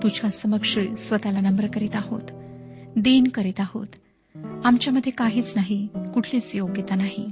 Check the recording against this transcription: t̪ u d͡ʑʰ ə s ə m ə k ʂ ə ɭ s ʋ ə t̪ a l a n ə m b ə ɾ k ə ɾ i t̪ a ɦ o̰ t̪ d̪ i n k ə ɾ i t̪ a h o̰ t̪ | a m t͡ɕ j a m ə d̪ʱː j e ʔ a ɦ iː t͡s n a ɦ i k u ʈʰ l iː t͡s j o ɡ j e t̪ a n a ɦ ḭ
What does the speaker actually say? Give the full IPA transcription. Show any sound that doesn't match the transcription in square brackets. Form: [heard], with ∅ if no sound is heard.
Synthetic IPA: t̪ u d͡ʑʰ [a] s ə m ə k ʂ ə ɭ s ʋ ə t̪ a l a n ə m b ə ɾ k ə ɾ i t̪ a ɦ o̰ t̪ d̪ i n k ə ɾ i t̪ a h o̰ t̪ | a m t͡ɕ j a m ə d̪ʱː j e [k] a ɦ iː t͡s n a ɦ i k u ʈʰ l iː t͡s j o ɡ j e t̪ a n a ɦ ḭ